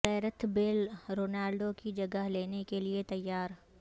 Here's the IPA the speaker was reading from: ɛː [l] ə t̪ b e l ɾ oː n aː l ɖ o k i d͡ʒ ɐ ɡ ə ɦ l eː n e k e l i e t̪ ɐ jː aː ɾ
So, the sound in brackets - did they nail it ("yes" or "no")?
no